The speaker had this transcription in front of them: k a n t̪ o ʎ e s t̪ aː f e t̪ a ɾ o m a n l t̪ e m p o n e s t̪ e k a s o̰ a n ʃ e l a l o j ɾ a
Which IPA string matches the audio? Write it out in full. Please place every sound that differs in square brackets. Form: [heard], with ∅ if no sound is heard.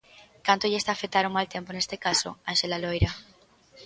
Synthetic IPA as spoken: k a n t̪ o ʎ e s t̪ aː f e t̪ a ɾ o m a [∅] l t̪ e m p o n e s t̪ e k a s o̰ a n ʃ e l a l o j ɾ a